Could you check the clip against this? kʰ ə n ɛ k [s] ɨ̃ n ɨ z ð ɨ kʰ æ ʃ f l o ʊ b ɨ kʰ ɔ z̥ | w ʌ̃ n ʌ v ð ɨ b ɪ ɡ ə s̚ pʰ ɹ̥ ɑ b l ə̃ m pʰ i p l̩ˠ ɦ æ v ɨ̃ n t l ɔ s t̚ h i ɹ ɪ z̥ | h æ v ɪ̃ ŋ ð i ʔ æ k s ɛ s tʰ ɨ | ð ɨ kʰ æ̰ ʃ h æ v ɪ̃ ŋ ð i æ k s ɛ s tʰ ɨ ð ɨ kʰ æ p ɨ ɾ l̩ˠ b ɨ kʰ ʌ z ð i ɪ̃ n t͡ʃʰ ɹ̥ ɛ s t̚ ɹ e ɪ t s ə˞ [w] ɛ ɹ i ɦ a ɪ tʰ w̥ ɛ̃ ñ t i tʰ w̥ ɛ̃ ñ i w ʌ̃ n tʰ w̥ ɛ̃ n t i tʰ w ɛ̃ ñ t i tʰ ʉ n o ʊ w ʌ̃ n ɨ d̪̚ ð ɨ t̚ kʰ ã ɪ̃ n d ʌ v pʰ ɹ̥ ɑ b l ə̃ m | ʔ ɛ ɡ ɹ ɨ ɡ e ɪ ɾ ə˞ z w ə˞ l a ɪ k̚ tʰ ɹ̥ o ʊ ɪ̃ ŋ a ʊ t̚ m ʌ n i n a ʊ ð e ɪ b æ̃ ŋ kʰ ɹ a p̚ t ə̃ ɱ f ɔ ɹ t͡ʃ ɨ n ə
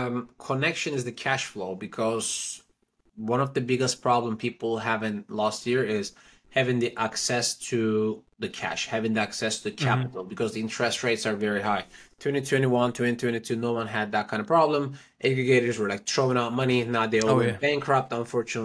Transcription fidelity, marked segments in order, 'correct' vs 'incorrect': incorrect: ʃ, incorrect: v

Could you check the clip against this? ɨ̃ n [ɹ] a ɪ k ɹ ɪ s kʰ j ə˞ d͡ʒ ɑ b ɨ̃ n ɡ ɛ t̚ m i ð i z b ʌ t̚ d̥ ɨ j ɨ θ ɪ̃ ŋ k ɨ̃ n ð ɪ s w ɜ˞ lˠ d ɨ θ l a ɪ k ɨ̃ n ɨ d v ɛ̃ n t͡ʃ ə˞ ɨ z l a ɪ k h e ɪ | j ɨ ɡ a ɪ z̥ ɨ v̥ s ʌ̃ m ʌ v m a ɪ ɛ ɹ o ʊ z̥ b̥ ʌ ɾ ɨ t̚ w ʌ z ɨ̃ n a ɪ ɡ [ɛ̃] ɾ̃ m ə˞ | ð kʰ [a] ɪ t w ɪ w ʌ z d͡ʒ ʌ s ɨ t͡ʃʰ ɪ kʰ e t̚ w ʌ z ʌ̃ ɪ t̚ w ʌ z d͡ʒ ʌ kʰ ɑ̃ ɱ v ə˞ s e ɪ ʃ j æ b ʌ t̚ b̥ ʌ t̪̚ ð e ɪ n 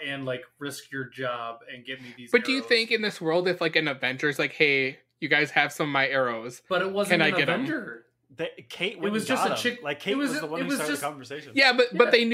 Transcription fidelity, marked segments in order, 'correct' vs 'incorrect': incorrect: l, incorrect: ɛ, incorrect: e

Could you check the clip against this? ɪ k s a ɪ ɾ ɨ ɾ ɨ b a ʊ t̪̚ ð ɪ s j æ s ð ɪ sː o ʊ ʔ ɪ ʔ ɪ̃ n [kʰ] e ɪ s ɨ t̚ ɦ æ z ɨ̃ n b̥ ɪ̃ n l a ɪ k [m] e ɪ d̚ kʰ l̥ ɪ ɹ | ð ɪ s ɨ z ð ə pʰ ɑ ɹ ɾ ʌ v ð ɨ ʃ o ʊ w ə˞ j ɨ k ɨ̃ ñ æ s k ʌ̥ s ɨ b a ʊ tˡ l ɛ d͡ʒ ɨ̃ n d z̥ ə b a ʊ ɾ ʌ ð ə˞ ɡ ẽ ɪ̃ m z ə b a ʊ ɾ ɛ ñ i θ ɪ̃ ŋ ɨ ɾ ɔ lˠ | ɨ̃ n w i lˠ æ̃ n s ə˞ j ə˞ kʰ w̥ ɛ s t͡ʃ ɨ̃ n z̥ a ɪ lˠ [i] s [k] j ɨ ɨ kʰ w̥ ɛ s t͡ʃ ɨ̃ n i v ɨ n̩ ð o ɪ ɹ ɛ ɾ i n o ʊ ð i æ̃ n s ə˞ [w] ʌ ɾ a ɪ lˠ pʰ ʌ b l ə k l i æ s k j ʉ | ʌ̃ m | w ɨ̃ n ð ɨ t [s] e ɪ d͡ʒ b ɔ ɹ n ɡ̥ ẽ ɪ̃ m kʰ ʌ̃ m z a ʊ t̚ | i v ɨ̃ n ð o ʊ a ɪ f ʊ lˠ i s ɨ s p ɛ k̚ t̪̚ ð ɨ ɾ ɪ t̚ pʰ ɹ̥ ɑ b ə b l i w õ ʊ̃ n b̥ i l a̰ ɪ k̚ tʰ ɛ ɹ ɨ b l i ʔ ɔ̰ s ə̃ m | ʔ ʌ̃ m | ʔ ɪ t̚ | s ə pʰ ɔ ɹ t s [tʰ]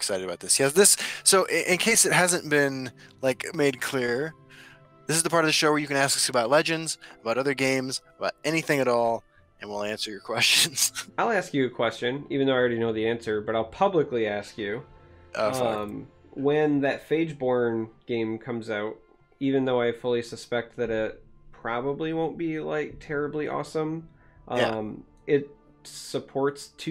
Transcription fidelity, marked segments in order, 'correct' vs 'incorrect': correct, correct, incorrect: æ, correct, incorrect: b, incorrect: f, correct

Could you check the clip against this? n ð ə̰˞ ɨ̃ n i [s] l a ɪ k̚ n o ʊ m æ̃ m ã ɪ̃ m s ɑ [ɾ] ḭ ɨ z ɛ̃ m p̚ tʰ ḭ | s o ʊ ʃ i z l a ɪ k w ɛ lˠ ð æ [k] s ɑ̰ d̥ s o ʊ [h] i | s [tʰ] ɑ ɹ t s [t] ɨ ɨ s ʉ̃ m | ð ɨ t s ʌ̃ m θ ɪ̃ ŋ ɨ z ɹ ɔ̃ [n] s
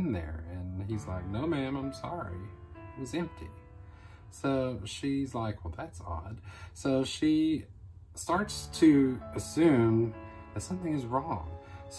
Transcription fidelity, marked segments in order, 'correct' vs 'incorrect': incorrect: z, incorrect: ɹ, incorrect: t, incorrect: ʃ, incorrect: t, incorrect: tʰ, incorrect: ŋ

